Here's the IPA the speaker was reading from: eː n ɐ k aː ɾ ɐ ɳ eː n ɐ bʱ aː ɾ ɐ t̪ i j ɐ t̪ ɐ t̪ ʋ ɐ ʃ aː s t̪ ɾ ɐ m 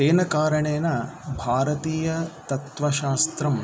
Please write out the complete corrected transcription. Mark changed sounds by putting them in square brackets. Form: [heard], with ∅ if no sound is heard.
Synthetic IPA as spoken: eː n ɐ k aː ɾ ɐ ɳ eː n ɐ bʱ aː ɾ ɐ t̪ [iː] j ɐ t̪ ɐ t̪ ʋ ɐ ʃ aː s t̪ ɾ ɐ m